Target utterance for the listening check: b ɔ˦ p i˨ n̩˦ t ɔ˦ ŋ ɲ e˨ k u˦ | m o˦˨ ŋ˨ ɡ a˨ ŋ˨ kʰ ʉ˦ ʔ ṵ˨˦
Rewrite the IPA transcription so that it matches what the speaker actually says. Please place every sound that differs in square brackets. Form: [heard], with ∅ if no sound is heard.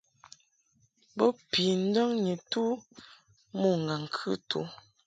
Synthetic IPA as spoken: b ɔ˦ p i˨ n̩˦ [d] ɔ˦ ŋ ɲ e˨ [t] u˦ | m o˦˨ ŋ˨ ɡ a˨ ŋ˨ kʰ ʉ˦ [t] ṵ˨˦